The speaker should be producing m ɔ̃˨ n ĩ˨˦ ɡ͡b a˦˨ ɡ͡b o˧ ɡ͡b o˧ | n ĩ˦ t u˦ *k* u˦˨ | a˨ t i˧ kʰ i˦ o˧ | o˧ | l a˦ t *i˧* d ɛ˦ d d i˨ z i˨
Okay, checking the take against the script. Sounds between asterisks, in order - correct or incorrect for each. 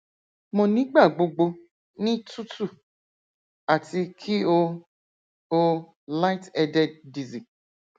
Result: incorrect: t, incorrect: ɛ˧

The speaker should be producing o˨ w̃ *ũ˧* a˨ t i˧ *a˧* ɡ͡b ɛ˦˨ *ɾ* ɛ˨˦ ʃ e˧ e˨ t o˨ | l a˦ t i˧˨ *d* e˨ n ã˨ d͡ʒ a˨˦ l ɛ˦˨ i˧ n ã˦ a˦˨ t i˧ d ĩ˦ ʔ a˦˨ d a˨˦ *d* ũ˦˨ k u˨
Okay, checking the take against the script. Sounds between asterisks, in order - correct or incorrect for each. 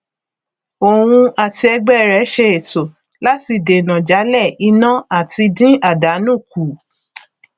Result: correct, incorrect: ɛ˧, correct, correct, incorrect: n

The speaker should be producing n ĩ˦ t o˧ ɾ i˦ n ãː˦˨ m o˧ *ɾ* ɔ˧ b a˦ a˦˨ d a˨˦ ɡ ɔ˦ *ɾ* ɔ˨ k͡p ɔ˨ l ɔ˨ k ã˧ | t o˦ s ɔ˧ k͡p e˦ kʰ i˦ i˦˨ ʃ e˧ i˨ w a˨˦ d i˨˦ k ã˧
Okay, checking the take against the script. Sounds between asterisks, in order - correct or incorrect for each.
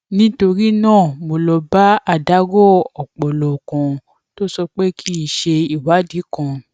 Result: incorrect: l, incorrect: none

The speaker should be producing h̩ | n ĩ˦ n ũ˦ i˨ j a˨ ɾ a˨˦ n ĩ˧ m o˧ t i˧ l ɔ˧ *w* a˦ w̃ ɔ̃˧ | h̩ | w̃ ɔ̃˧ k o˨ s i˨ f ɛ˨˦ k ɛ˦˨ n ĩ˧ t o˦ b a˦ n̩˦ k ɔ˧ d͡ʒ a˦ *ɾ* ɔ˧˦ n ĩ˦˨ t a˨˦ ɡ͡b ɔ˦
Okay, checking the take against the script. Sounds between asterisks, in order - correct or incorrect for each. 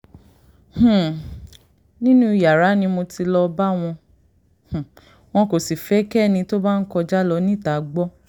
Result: incorrect: b, incorrect: l

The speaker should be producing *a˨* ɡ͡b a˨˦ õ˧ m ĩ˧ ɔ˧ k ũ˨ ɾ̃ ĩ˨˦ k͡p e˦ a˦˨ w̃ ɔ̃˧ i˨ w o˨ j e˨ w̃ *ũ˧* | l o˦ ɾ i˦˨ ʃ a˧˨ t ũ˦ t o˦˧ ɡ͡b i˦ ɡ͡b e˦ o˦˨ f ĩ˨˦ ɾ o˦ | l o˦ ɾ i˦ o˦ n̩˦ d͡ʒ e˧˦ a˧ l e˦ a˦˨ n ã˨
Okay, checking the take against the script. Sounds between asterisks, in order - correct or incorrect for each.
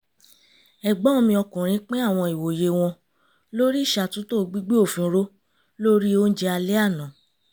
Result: incorrect: ɛ˨, incorrect: ɔ̃˧

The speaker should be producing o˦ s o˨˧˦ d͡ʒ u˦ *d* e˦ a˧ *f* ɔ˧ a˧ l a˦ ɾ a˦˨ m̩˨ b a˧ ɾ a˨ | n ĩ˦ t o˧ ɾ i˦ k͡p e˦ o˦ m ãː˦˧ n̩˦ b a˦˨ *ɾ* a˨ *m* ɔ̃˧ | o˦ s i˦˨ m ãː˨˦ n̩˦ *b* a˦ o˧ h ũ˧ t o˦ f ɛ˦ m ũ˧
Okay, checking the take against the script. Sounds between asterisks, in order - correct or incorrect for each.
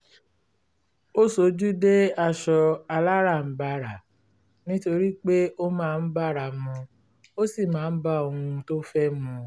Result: correct, incorrect: ʃ, correct, correct, correct

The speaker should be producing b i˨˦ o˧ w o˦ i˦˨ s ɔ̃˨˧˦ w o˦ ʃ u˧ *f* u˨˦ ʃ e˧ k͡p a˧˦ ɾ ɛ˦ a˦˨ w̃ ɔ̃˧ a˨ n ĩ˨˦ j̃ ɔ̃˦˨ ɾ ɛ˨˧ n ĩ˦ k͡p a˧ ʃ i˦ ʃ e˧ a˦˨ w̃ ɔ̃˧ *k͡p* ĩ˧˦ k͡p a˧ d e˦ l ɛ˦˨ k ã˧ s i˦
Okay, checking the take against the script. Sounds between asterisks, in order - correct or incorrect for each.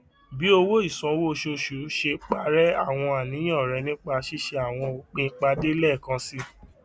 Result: incorrect: ʃ, correct

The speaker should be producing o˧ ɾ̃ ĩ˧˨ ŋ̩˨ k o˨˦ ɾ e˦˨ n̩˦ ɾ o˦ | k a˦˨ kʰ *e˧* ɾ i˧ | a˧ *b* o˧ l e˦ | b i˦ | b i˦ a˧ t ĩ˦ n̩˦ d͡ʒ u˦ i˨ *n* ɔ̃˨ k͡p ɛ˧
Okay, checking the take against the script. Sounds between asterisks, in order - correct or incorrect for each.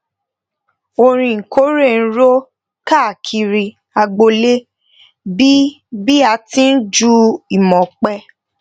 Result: incorrect: i˧, incorrect: ɡ͡b, incorrect: m

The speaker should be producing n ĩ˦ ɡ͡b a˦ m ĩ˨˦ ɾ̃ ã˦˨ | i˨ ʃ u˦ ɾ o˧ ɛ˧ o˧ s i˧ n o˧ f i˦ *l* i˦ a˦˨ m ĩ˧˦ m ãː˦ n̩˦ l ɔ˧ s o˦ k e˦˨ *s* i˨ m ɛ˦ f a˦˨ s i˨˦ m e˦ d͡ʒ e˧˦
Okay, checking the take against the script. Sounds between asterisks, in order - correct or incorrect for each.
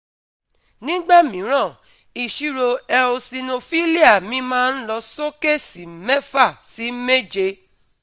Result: correct, correct

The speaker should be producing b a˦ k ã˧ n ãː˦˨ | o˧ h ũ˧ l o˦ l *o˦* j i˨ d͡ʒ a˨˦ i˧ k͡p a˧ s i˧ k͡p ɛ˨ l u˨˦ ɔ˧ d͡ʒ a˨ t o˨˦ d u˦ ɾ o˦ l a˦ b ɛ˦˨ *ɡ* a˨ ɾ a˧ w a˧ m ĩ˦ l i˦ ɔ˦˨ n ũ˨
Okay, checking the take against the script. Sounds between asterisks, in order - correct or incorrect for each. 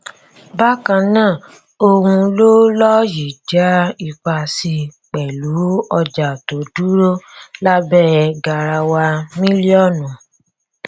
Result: incorrect: ɔ˦, correct

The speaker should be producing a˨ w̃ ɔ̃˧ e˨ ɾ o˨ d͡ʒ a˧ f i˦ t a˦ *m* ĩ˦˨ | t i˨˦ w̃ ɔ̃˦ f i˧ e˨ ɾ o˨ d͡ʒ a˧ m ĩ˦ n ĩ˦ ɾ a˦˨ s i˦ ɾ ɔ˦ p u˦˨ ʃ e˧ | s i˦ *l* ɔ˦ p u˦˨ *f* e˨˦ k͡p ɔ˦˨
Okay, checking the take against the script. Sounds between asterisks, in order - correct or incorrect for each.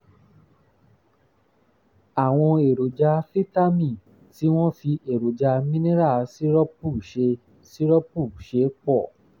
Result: correct, incorrect: ɾ, incorrect: ʃ

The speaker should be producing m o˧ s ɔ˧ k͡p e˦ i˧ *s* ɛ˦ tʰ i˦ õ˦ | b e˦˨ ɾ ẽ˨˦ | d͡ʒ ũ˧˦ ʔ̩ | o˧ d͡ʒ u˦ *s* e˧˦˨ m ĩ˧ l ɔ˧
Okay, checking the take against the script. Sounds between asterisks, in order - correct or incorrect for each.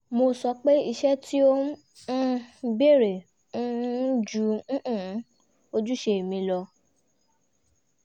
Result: incorrect: ʃ, incorrect: ʃ

